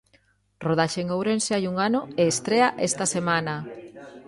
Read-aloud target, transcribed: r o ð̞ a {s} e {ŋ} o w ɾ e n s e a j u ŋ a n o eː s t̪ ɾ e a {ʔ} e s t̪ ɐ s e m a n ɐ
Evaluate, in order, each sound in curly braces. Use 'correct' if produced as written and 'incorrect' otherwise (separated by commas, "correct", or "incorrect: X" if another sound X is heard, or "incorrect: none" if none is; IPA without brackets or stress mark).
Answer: incorrect: ʃ, correct, correct